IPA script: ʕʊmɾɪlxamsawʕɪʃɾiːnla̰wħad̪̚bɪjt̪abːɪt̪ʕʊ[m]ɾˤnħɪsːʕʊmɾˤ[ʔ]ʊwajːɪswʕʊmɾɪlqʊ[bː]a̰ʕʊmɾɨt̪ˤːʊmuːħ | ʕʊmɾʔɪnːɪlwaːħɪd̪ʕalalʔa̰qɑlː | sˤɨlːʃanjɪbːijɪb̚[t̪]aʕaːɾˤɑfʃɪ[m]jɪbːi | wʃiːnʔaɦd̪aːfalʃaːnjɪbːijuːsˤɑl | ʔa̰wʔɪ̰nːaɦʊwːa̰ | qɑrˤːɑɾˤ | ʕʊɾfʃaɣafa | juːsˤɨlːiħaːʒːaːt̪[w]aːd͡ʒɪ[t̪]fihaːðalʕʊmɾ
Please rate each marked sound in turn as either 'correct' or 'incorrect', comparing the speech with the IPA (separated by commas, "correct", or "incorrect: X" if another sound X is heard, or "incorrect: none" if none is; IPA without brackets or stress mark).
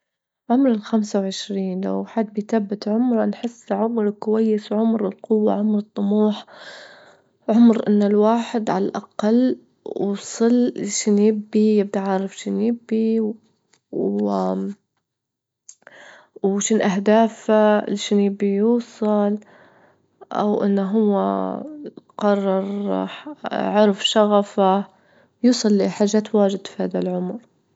correct, incorrect: k, incorrect: wː, incorrect: d̪, incorrect: n, correct, incorrect: d̪